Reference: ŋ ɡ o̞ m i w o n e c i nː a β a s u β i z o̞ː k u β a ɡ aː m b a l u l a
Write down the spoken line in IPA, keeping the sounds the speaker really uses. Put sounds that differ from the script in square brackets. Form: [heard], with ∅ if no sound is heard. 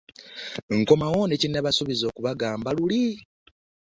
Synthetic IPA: ŋ [k] o̞ m [a] w o n e c i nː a β a s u β i z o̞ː k u β a ɡ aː m b a l u l [i]

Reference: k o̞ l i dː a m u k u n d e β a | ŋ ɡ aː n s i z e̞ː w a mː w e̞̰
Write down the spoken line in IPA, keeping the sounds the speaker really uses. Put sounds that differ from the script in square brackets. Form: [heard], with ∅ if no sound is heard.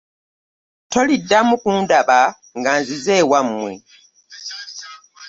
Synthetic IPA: [t] o̞ l i dː a m u k u n d [a] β a | ŋ ɡ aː n [z] i z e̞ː w a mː w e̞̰

